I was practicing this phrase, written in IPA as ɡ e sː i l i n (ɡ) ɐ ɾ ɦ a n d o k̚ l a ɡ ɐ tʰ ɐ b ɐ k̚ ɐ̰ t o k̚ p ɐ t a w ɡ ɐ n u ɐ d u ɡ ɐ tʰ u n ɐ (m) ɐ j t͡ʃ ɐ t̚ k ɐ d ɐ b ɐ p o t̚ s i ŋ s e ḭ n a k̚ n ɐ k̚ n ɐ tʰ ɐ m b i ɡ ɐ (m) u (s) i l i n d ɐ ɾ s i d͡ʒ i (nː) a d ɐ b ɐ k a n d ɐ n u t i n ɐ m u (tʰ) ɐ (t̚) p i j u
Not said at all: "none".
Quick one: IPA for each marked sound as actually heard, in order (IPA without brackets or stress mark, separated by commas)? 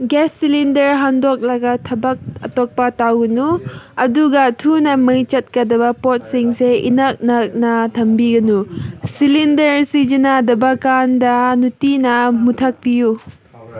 d, m, n, s, n, tʰ, k̚